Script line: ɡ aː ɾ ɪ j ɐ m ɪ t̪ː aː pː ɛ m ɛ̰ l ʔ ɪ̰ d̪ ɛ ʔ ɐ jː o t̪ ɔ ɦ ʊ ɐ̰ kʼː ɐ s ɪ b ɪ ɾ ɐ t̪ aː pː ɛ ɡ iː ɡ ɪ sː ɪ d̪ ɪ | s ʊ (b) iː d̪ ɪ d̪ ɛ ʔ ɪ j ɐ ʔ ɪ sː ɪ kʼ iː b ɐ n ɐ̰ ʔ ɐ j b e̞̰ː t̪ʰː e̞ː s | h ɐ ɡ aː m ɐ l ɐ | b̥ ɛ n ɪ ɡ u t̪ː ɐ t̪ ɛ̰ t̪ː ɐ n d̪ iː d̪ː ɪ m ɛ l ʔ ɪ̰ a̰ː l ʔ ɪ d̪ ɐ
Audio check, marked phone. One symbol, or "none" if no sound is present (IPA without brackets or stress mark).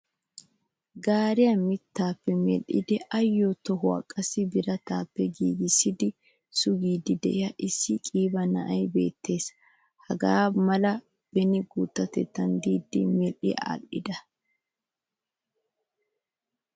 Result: ɡ